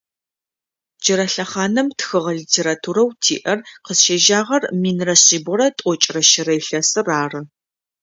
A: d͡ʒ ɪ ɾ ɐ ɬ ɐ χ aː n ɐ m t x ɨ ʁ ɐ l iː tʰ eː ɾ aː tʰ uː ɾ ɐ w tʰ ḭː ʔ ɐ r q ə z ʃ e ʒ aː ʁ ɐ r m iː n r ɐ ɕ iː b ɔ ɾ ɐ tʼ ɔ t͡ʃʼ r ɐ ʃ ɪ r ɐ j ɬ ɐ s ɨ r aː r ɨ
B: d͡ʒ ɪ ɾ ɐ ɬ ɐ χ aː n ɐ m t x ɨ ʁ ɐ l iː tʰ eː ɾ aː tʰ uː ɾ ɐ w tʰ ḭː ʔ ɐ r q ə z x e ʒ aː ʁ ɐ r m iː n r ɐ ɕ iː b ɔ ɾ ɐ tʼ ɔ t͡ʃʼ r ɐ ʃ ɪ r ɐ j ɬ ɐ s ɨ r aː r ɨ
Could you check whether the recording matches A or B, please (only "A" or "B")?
A